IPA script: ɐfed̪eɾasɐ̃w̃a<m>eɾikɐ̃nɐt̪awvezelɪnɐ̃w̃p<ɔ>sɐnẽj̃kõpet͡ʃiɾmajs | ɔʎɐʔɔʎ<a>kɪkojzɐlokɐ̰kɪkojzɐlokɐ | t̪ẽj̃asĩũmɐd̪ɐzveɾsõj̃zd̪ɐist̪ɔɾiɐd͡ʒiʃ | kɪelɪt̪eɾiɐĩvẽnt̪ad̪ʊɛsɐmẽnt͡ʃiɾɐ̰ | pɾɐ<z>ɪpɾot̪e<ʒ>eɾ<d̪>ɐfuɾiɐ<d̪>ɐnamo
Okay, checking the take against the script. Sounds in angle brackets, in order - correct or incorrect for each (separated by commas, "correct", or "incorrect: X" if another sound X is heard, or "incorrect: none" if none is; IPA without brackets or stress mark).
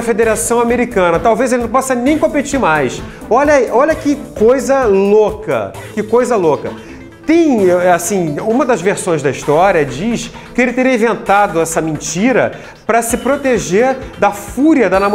correct, correct, incorrect: ɐ, incorrect: s, correct, correct, correct